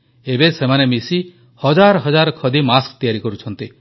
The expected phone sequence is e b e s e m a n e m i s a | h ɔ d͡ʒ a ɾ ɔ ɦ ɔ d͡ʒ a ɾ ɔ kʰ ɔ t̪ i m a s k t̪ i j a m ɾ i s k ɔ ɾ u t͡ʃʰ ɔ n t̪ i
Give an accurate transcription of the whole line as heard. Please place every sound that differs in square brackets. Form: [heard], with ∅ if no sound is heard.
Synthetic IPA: e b e s e m a n e m i s [i] | h ɔ d͡ʒ a ɾ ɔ ɦ ɔ d͡ʒ a ɾ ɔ kʰ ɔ [d̪] i m a s k t̪ i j a [∅] ɾ i [∅] k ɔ ɾ u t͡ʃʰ ɔ n t̪ i